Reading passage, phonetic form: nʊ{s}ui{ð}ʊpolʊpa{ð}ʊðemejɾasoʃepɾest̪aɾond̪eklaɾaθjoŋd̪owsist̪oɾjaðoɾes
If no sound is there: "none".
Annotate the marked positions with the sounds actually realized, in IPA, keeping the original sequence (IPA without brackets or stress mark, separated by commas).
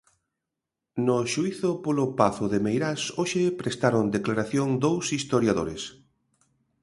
ʃ, θ, θ